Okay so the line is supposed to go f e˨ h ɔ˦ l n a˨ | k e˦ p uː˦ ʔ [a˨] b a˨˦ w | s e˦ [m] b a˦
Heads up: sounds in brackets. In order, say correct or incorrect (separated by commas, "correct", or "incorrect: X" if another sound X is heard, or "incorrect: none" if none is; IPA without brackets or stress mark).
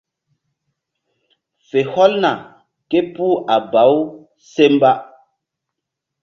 correct, correct